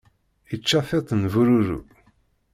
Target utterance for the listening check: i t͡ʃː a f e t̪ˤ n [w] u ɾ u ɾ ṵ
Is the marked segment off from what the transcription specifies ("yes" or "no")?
yes